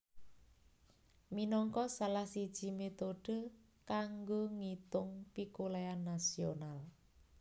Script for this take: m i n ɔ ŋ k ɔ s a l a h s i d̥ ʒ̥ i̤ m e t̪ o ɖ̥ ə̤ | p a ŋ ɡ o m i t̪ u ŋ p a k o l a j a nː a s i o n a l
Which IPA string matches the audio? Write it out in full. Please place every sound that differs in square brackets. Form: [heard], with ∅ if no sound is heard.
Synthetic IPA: m i n ɔ ŋ k ɔ s a l a h s i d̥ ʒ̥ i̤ m e t̪ o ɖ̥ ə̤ | [k] a ŋ ɡ o [ŋ] i t̪ [ʊ] ŋ p [i] k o l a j a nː a s i o n a l